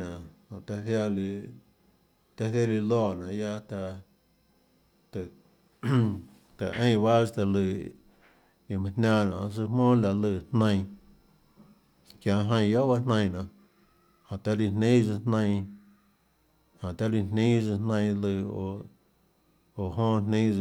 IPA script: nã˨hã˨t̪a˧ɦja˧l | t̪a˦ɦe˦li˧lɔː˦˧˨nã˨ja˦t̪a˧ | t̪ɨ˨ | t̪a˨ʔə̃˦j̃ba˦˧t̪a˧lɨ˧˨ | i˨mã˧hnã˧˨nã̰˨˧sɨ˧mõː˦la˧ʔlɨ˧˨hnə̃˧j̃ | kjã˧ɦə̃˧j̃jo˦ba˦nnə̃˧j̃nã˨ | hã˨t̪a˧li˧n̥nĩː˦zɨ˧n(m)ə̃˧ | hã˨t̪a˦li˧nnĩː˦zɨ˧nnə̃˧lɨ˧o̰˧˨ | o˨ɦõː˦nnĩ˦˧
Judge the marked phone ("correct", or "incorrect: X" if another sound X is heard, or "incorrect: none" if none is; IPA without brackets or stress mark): incorrect: n